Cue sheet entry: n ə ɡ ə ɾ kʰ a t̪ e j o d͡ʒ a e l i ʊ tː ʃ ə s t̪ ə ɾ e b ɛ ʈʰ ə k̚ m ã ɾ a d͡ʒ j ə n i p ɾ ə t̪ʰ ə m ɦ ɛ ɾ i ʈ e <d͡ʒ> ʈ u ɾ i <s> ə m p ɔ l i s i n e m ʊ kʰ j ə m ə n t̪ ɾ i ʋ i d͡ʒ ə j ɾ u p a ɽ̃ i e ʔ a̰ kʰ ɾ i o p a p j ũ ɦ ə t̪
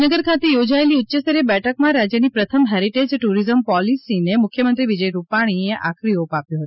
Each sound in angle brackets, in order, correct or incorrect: correct, incorrect: z

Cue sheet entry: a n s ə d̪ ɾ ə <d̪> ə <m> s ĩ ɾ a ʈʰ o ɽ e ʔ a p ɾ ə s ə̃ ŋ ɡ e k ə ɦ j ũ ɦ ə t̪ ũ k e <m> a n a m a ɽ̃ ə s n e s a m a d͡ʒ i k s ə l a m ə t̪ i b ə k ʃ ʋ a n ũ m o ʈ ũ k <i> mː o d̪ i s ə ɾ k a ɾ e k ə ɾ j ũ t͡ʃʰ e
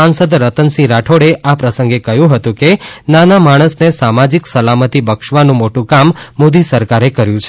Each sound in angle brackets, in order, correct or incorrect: incorrect: t̪, incorrect: n, incorrect: n, incorrect: a

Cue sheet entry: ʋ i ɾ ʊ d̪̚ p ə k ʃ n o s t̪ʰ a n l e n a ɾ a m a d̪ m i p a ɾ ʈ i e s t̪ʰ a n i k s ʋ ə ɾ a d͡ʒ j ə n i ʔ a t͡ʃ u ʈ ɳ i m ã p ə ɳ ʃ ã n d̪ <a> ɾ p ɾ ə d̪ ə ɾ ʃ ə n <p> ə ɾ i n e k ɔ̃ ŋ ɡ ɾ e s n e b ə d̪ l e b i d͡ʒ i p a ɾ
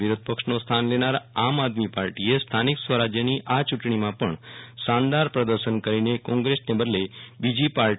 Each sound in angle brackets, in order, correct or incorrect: correct, incorrect: k

